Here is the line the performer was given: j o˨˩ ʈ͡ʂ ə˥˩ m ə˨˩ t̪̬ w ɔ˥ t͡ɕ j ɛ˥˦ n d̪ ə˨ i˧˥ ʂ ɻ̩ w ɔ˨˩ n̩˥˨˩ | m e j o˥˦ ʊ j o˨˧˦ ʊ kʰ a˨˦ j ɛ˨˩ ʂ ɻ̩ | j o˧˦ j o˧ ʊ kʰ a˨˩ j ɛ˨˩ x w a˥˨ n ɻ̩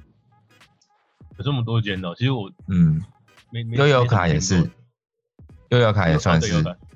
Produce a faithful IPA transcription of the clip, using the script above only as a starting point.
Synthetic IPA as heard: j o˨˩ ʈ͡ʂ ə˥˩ m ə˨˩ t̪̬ w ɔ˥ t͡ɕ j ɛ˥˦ n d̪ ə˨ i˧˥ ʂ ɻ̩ w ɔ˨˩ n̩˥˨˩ | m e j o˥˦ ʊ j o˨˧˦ ʊ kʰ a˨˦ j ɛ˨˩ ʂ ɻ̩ | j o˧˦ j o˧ ʊ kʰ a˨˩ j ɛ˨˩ s w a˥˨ n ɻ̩